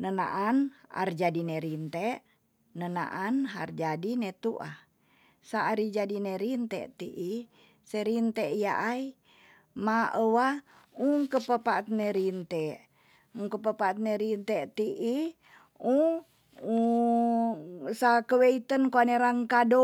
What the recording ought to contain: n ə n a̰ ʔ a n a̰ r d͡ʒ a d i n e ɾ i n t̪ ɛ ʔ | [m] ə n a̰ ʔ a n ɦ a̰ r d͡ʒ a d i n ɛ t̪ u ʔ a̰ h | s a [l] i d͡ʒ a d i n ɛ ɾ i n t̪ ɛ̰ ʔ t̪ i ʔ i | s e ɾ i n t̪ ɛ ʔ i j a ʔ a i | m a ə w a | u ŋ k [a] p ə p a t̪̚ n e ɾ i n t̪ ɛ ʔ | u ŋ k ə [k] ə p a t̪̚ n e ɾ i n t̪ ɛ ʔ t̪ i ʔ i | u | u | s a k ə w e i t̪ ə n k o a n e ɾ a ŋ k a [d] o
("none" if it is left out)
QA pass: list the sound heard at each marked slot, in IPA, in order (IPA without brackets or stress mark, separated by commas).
n, ɾ, ə, p, d